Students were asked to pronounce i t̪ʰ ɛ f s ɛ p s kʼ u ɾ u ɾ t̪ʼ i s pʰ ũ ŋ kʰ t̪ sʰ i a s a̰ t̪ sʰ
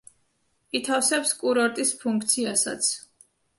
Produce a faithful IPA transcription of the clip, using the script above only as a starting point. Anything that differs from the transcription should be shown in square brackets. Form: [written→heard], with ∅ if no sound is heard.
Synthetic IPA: i t̪ʰ [ɛ→a] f s ɛ p s kʼ u ɾ [u→ɔ] ɾ t̪ʼ i s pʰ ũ ŋ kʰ t̪ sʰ i a s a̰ t̪ sʰ

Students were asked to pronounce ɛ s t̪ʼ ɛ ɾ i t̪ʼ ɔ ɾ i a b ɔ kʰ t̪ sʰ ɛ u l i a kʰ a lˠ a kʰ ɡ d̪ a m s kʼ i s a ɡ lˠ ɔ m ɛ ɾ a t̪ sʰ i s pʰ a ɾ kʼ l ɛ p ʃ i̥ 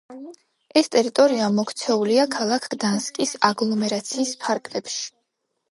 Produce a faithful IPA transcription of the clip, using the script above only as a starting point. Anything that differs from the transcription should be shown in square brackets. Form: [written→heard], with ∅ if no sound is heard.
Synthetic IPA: ɛ s t̪ʼ ɛ ɾ i t̪ʼ ɔ ɾ i a [b→m] ɔ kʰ t̪ sʰ ɛ u l i a kʰ a lˠ a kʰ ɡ d̪ a [m→n] s kʼ i s a ɡ lˠ ɔ m ɛ ɾ a t̪ sʰ [i→iː] s pʰ a ɾ kʼ l ɛ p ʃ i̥

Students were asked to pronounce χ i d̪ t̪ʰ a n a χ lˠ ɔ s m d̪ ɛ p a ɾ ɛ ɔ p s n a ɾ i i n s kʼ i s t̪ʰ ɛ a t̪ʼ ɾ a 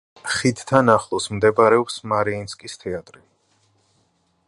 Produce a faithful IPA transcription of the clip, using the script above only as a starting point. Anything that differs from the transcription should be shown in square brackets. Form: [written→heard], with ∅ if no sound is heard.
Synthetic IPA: χ i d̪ t̪ʰ a n a χ lˠ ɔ s m d̪ ɛ [p→b] a ɾ ɛ ɔ p s [n→m] a ɾ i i n s kʼ i s t̪ʰ ɛ a t̪ʼ ɾ [a→i]

